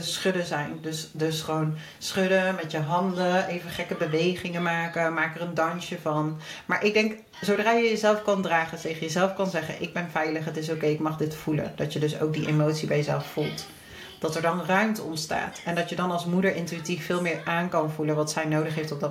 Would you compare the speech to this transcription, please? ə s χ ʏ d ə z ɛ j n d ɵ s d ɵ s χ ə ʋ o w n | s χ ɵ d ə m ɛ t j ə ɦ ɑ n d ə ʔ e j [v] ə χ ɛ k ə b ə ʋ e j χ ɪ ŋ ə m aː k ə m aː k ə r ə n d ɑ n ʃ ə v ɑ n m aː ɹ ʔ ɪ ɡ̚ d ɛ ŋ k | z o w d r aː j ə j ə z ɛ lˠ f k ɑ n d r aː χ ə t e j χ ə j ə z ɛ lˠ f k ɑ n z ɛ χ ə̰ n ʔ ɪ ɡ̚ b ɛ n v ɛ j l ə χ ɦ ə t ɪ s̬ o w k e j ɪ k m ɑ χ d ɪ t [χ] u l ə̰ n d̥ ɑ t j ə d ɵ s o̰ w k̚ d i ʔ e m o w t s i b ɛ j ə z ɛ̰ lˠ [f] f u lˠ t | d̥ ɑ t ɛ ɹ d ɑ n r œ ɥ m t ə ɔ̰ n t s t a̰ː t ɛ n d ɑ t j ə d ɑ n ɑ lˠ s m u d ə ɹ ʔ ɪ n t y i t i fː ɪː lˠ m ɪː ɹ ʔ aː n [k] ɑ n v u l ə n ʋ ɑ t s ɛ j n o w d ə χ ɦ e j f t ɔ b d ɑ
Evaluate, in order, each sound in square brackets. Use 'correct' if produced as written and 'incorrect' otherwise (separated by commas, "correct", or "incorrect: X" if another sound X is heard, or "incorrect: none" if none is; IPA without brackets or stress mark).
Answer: correct, incorrect: f, correct, correct